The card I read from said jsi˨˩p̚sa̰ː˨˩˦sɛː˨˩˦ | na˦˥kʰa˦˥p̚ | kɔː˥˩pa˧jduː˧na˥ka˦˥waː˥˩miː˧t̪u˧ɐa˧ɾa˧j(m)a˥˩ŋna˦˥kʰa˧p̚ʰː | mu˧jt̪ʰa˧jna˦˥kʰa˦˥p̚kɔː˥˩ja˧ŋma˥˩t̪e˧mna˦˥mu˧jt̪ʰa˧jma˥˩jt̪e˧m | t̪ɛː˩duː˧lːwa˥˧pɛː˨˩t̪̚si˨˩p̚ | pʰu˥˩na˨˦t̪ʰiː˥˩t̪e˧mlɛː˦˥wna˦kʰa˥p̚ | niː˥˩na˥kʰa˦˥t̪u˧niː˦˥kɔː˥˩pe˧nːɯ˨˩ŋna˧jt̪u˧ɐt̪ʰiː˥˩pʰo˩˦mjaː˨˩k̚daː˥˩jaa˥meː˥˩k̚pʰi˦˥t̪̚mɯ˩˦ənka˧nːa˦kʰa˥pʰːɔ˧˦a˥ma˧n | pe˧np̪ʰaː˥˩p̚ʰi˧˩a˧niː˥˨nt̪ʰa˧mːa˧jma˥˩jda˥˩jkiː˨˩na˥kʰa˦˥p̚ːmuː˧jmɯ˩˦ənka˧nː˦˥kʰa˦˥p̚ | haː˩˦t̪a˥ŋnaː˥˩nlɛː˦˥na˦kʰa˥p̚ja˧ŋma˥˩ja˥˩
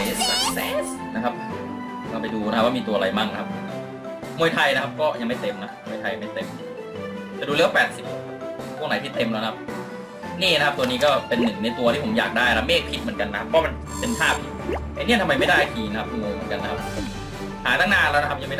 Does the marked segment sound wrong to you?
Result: no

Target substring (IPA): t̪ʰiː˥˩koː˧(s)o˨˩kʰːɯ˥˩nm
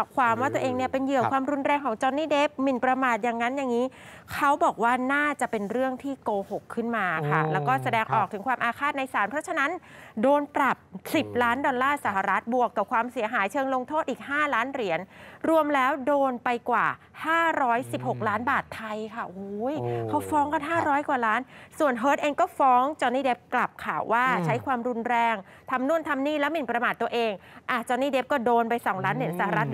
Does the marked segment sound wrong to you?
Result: yes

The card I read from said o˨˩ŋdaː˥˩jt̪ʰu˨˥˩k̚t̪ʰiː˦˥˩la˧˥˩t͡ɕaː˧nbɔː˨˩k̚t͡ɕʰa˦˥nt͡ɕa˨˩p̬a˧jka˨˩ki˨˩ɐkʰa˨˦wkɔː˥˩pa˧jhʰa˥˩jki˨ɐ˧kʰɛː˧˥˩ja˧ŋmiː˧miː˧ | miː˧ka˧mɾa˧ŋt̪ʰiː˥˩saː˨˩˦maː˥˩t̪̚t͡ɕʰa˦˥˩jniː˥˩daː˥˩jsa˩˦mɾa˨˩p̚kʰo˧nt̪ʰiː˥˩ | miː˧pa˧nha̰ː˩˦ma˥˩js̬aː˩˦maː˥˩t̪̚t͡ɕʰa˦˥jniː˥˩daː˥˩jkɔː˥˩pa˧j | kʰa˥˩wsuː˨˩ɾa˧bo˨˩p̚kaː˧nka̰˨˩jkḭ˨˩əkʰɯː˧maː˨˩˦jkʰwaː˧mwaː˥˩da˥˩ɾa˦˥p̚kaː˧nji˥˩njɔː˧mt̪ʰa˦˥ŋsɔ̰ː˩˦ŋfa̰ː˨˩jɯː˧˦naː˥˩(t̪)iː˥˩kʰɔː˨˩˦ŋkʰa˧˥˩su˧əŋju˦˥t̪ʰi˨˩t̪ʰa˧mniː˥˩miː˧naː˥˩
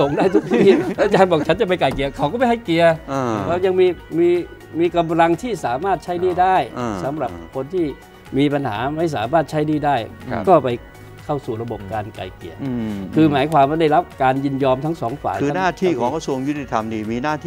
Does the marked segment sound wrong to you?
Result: yes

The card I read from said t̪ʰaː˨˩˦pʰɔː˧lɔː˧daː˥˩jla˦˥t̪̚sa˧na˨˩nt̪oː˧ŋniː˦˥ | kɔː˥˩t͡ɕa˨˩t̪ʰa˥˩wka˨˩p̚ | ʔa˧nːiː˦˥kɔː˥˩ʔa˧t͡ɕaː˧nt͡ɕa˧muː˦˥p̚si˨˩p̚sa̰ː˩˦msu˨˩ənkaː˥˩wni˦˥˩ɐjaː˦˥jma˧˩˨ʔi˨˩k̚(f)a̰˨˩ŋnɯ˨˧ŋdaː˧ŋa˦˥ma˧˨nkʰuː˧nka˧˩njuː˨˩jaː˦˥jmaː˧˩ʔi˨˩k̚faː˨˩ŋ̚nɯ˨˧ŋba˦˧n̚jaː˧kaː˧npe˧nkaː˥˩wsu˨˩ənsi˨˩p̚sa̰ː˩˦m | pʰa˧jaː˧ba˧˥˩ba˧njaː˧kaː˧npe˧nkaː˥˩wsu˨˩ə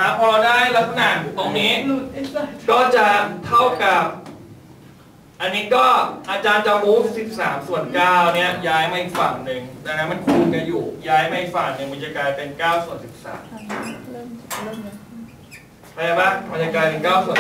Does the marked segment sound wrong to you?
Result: no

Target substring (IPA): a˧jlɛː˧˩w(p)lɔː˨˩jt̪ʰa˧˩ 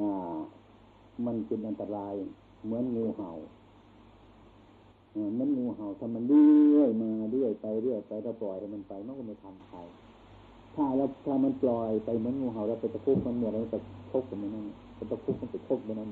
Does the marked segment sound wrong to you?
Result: no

